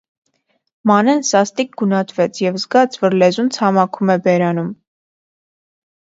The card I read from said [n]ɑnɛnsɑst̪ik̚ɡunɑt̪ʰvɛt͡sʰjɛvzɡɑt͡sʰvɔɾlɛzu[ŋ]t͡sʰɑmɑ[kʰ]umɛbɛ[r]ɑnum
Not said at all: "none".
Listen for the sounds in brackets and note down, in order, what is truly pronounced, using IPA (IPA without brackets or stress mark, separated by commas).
m, n, kʰ, ɾ